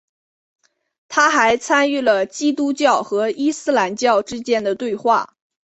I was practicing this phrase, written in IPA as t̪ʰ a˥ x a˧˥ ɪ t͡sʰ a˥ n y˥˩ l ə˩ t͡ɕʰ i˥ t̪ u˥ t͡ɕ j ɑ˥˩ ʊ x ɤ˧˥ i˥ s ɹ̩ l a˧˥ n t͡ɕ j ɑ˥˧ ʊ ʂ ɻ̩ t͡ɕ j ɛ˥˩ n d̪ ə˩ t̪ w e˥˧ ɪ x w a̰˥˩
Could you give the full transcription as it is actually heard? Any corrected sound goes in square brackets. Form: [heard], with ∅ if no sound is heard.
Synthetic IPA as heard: t̪ʰ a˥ x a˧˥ ɪ t͡sʰ a˥ n y˥˩ l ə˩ [t͡ɕ] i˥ t̪ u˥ t͡ɕ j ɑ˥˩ ʊ x ɤ˧˥ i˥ s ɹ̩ l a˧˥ n t͡ɕ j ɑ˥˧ ʊ [ʈ͡ʂ] ɻ̩ t͡ɕ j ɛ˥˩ n d̪ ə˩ t̪ w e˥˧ ɪ x w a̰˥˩